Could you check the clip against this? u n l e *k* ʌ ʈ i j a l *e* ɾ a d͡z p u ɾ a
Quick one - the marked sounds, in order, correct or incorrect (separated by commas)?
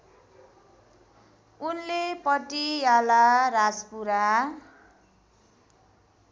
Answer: incorrect, incorrect